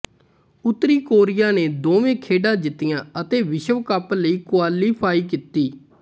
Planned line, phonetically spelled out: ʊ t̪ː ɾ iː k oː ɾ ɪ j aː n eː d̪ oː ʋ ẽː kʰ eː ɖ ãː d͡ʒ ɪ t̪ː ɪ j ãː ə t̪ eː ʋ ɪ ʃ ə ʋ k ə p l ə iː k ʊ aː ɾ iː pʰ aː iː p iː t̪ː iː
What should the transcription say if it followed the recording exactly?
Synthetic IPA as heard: ʊ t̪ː ɾ iː k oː ɾ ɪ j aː n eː d̪ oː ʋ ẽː kʰ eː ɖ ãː d͡ʒ ɪ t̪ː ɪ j ãː ə t̪ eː ʋ ɪ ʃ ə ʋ k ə p l ə iː k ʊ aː l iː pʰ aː iː k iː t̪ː iː